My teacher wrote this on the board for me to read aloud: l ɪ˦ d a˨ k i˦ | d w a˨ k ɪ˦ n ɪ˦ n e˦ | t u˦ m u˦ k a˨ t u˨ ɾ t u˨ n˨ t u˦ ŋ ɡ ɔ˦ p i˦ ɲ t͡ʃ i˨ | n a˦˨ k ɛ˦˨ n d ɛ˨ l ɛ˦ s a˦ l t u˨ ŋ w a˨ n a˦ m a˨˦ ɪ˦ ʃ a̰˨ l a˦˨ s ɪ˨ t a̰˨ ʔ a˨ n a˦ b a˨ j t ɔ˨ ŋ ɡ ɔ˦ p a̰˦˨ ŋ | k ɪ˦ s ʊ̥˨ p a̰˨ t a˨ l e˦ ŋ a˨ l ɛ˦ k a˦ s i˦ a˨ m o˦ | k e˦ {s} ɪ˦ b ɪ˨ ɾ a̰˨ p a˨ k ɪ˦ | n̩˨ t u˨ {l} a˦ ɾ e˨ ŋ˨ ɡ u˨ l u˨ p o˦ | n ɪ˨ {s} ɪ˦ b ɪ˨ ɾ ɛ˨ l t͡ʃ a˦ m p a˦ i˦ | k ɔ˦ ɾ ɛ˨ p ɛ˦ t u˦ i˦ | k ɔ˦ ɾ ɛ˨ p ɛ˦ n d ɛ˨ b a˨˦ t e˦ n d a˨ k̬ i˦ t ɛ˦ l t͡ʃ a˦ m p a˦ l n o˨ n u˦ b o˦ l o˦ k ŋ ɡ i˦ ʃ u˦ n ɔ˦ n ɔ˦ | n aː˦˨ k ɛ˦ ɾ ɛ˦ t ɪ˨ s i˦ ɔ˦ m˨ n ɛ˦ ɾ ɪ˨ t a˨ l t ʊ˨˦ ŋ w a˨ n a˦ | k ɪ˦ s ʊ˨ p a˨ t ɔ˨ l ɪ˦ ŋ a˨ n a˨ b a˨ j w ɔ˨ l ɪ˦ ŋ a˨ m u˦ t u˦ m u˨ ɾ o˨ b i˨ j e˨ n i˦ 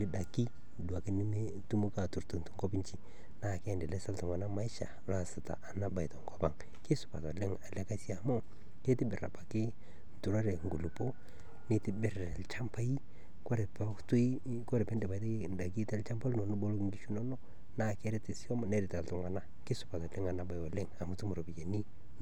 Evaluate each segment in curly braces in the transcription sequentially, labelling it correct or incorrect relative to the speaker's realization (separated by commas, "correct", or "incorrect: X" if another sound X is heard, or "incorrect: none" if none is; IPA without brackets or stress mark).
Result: incorrect: t, incorrect: ɾ, incorrect: t